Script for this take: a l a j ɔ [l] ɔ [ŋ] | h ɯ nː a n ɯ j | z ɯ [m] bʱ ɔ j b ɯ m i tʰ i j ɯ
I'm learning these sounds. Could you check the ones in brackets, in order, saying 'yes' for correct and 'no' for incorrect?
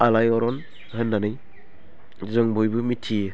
no, no, no

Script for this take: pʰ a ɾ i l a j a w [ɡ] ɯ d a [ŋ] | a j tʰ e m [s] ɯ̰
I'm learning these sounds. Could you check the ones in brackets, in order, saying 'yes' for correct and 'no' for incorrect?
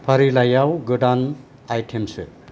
yes, no, yes

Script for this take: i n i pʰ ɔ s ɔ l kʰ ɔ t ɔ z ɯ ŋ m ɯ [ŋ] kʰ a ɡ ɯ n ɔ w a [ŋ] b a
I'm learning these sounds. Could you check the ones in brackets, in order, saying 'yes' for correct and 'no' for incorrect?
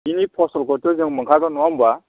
yes, no

